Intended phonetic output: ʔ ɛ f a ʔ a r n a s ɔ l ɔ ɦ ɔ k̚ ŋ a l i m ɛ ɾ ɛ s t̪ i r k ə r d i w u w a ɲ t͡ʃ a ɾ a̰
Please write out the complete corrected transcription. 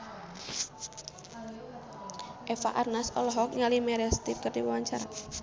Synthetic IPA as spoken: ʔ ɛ f a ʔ a r n a s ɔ l ɔ ɦ ɔ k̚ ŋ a l i m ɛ ɾ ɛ s t̪ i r k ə r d i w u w a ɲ t͡ʃ a ɾ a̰